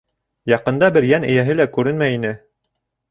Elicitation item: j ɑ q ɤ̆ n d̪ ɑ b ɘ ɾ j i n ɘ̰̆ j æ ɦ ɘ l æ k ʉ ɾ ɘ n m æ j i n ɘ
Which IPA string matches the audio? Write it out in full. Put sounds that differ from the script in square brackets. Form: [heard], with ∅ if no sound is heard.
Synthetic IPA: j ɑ q ɤ̆ n d̪ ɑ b ɘ ɾ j [æ] n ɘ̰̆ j æ ɦ ɘ l æ k ʉ ɾ ɘ n m æ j i n ɘ

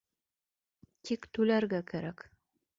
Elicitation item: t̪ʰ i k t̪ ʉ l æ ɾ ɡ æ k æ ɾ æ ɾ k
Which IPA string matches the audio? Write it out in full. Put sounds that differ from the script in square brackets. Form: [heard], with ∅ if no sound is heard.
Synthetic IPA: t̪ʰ i k t̪ ʉ l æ ɾ ɡ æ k æ ɾ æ [∅] k

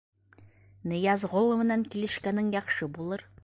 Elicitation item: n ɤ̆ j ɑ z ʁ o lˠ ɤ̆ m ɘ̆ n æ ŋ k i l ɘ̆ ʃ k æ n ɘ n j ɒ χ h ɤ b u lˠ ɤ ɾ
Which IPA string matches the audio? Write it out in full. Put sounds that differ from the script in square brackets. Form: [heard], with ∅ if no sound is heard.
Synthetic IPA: n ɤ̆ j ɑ z ʁ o lˠ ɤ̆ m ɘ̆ n æ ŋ k i l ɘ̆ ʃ k æ n ɘ [ŋ] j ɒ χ [ʃ] ɤ b u lˠ ɤ ɾ

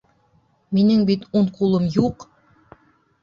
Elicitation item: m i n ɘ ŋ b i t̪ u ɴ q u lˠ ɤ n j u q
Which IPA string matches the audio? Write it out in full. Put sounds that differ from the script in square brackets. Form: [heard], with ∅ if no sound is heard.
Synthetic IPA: m i n ɘ ŋ b i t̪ u ɴ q u lˠ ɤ [m] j u q

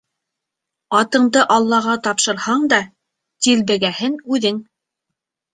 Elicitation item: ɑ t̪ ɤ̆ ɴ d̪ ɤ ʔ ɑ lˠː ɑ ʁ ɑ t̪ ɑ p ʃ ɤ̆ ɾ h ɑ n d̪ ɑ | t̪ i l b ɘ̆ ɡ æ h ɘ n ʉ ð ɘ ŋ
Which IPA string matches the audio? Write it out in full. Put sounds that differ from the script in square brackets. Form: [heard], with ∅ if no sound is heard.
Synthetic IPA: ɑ t̪ ɤ̆ ɴ d̪ ɤ ʔ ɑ lˠː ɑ ʁ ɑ t̪ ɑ p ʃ ɤ̆ ɾ h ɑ [ɴ] d̪ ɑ | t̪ i l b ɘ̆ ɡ æ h ɘ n ʉ ð ɘ ŋ

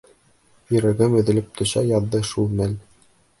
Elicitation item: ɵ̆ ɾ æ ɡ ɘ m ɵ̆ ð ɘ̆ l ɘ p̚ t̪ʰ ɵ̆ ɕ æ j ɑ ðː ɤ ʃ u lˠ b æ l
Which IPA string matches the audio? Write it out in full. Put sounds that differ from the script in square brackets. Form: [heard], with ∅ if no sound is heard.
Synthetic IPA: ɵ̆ ɾ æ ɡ ɘ m ɵ̆ ð ɘ̆ l ɘ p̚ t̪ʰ ɵ̆ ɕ æ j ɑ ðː ɤ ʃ u lˠ [m] æ l

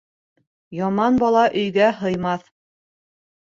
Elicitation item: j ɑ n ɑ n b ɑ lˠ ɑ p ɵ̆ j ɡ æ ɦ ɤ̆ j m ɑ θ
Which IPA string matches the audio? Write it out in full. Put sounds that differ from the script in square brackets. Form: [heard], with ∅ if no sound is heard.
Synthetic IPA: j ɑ [m] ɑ n b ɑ lˠ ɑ [ʔ] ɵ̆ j ɡ æ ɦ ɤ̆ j m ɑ θ

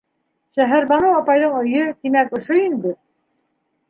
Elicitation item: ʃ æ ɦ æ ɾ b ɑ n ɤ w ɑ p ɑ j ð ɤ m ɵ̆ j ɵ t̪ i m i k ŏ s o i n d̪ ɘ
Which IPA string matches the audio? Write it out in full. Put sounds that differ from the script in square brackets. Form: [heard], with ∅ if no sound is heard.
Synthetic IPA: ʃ æ ɦ æ ɾ b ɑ n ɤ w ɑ p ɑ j ð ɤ [ɴ] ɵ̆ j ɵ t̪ i m [æ] k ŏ [ʃ] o i n d̪ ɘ

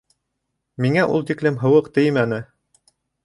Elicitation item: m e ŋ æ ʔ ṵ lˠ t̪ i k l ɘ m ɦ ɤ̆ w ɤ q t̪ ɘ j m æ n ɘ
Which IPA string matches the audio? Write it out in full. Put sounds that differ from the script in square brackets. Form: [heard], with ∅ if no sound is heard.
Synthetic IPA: m [i] ŋ æ ʔ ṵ lˠ t̪ i k l ɘ m ɦ ɤ̆ w ɤ q t̪ ɘ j m æ n ɘ

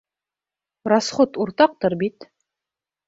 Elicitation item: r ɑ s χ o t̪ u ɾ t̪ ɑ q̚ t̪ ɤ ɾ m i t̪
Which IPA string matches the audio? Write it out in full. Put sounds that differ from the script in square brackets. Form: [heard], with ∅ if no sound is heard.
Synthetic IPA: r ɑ s χ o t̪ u ɾ t̪ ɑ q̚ t̪ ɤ ɾ [b] i t̪

